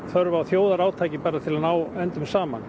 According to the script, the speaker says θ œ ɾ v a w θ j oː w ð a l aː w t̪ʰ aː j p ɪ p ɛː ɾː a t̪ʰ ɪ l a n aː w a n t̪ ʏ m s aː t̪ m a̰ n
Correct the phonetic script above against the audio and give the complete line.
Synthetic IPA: θ œ ɾ v a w θ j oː w ð a ɾ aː w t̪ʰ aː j c ɪ p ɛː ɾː a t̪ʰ ɪ l a n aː w ɛ n t̪ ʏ m s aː m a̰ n